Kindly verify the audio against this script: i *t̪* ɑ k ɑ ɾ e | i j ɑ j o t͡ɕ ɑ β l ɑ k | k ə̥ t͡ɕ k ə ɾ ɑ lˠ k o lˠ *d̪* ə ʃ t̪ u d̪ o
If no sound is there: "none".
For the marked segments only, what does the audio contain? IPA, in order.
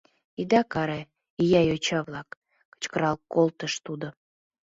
d̪, t̪

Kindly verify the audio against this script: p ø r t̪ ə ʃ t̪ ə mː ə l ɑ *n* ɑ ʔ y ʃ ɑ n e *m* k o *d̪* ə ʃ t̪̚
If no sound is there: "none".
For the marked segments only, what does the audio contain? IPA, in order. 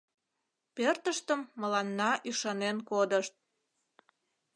nː, n, d̪

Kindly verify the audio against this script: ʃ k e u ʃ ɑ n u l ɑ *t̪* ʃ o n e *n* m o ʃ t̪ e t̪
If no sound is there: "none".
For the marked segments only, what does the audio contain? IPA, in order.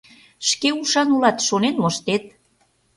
t̪, n

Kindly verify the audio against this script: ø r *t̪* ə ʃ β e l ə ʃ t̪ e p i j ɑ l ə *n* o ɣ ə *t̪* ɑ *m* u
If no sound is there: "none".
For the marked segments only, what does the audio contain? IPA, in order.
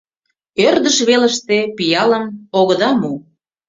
d̪, m, d̪, m

